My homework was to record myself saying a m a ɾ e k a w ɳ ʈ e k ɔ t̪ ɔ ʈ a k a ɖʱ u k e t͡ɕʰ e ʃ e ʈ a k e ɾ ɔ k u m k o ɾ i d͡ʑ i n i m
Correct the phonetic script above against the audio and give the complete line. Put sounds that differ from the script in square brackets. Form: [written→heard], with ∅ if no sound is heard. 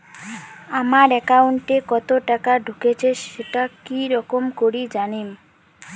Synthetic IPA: a m a ɾ [e→ɛ] k a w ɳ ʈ e k ɔ t̪ [ɔ→o] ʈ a k a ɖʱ u k e t͡ɕʰ e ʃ e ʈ a k [e→i] ɾ ɔ k [u→o] m k o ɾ i d͡ʑ [i→a] n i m